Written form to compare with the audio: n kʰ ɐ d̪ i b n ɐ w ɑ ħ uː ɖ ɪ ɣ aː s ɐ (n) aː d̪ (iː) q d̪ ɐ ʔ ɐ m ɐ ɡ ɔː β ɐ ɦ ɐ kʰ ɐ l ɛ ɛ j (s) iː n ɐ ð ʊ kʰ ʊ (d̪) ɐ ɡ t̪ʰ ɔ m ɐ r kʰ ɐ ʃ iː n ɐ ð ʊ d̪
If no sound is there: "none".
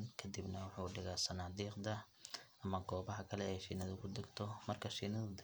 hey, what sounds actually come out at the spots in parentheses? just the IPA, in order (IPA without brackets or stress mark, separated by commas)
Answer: n, iː, ʃ, d̪